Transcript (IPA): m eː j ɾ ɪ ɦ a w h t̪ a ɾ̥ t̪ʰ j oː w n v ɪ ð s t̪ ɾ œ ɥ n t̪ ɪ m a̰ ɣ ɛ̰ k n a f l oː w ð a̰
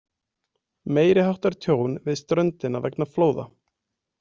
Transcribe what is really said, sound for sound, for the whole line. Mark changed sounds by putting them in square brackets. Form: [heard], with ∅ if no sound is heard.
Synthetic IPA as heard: m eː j ɾ ɪ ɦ a w h t̪ a ɾ̥ t̪ʰ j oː w n v ɪ ð s t̪ ɾ œ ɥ n t̪ ɪ [n] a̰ [v] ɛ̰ k n a f l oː w ð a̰